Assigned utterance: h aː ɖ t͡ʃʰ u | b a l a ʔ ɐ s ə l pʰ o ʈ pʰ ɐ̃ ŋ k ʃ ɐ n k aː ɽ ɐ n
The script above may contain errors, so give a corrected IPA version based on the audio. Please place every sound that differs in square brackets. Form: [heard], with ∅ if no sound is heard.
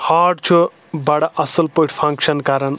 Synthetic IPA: h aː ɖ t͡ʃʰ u | b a [ɽ] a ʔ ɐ s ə l [p] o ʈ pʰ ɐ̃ ŋ k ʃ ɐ n k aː [ɾ] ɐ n